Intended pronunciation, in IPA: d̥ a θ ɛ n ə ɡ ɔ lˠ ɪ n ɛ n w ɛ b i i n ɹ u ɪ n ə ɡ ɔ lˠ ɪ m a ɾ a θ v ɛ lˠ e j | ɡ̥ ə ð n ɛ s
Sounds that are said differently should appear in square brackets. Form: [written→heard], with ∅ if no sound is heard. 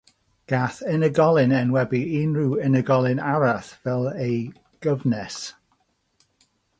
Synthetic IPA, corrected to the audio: [d̥→ɡ̥] a θ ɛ n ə ɡ ɔ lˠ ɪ n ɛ n w ɛ b i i n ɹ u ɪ n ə ɡ ɔ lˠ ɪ [m→n] a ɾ a θ v ɛ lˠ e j | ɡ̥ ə [ð→v] n ɛ s